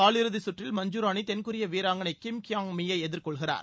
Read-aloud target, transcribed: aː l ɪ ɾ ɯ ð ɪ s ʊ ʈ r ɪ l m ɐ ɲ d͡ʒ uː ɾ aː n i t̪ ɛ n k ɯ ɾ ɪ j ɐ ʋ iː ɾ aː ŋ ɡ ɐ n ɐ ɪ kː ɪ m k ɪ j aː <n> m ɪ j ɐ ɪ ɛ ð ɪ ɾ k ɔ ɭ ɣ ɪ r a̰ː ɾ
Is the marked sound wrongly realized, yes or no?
yes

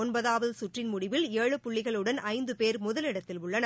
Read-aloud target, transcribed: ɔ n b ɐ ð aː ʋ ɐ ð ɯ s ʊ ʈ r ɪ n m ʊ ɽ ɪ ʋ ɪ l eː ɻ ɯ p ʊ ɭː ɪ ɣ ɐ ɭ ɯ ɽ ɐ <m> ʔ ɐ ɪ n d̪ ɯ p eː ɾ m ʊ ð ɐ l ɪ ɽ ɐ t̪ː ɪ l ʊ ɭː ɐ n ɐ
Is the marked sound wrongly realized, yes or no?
yes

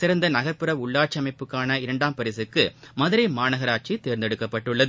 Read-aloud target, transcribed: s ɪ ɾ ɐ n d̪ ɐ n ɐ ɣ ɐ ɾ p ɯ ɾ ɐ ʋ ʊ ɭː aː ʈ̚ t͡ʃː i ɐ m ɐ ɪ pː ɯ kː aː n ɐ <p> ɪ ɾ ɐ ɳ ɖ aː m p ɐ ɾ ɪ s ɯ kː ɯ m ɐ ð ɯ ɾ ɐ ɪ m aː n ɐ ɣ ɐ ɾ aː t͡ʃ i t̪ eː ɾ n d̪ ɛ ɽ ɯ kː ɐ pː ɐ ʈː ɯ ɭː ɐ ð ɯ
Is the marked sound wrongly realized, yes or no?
yes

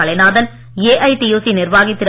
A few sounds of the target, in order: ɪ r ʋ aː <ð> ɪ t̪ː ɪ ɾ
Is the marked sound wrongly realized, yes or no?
yes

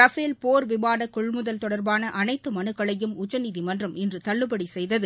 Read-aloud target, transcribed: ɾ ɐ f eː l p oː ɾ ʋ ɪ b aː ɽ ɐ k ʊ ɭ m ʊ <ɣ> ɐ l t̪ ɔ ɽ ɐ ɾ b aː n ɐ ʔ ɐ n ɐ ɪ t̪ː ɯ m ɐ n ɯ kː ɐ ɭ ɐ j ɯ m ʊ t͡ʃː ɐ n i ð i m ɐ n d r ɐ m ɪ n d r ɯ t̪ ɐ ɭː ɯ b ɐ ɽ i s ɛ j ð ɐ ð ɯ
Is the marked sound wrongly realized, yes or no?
yes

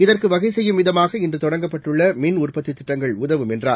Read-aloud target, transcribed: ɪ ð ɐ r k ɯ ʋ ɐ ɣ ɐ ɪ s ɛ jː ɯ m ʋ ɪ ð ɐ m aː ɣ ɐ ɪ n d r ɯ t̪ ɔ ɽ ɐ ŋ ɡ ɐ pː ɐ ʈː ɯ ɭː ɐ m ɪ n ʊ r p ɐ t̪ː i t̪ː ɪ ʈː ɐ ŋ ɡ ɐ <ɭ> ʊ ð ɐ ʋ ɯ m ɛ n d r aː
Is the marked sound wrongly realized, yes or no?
no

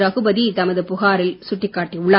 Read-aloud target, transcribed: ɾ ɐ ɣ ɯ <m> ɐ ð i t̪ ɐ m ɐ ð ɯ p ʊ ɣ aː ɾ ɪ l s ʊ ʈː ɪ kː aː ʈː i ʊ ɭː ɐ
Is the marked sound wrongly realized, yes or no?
yes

